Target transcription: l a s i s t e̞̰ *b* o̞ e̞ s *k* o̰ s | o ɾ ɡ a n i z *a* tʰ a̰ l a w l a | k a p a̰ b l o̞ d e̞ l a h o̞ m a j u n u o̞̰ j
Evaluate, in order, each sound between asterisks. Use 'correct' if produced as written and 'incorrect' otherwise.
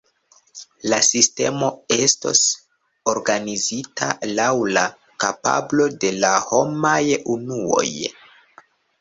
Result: incorrect: m, incorrect: t, incorrect: i

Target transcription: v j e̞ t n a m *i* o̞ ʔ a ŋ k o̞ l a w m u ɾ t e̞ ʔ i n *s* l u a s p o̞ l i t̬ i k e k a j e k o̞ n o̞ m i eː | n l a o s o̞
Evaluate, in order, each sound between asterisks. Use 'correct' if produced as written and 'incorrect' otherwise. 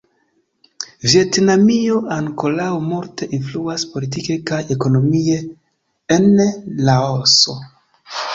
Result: correct, incorrect: f

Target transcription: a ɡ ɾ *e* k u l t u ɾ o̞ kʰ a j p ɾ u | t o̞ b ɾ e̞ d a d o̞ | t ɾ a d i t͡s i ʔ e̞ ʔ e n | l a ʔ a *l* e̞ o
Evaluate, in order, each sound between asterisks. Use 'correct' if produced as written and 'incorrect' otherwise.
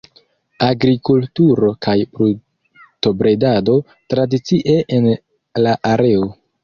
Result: incorrect: i, incorrect: ɾ

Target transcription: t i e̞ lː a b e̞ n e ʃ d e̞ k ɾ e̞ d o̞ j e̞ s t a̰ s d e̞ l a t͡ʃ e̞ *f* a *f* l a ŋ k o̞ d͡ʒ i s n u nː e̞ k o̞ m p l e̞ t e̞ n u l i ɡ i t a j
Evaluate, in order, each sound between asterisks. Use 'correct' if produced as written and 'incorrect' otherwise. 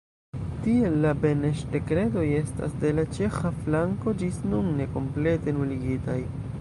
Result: incorrect: x, correct

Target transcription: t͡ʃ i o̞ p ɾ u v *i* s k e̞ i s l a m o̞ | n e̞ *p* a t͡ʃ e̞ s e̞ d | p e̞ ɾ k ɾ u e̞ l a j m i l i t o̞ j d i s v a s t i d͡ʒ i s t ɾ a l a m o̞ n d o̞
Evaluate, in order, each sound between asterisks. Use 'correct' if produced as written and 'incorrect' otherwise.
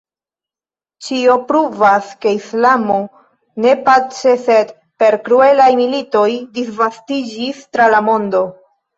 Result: incorrect: a, correct

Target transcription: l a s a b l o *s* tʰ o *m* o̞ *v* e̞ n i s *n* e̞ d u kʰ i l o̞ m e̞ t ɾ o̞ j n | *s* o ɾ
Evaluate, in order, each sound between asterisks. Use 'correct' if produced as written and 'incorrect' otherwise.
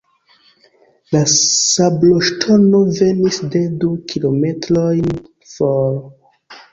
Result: incorrect: ʃ, incorrect: n, correct, incorrect: d, incorrect: f

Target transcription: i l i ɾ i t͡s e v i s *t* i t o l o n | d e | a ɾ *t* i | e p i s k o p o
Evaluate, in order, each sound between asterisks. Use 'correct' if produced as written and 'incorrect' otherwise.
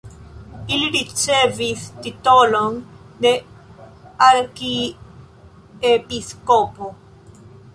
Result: correct, incorrect: k

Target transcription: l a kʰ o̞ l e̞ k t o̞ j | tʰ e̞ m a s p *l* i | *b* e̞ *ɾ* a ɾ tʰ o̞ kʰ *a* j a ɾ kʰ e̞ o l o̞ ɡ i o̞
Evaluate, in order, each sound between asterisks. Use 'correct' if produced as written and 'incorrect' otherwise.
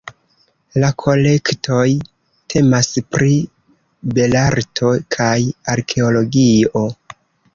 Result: incorrect: ɾ, correct, incorrect: l, correct

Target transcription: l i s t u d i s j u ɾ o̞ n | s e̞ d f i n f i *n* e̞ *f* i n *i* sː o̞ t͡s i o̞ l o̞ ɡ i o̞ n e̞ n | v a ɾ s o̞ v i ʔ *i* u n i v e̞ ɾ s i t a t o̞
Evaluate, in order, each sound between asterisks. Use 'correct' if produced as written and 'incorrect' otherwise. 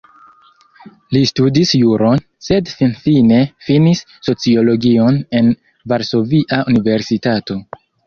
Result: correct, correct, correct, incorrect: a

